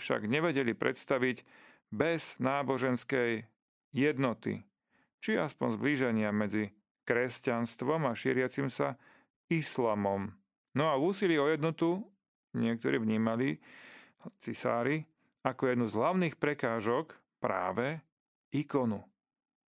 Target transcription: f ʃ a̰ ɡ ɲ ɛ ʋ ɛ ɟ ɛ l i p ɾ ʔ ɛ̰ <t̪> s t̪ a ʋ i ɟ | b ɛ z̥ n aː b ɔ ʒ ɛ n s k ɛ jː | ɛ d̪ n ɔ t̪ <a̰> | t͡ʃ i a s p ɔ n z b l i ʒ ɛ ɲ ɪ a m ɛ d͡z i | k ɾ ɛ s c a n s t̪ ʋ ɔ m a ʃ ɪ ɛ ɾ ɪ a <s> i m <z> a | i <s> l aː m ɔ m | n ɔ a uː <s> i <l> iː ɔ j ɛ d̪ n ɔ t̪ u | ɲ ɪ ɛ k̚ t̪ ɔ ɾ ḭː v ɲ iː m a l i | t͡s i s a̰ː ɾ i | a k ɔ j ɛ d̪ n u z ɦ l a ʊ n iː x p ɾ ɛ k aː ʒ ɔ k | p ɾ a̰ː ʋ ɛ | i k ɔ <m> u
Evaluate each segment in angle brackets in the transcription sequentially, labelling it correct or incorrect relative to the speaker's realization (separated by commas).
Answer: correct, incorrect, incorrect, incorrect, correct, correct, correct, incorrect